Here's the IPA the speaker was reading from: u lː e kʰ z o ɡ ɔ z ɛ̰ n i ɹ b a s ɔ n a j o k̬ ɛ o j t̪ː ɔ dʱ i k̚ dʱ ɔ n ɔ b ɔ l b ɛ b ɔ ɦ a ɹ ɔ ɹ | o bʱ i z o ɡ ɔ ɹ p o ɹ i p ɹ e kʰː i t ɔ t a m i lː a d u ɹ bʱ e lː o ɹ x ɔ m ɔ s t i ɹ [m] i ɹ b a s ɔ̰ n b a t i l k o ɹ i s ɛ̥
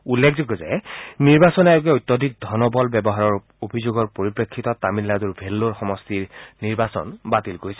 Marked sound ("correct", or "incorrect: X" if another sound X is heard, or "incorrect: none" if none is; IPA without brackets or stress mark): incorrect: n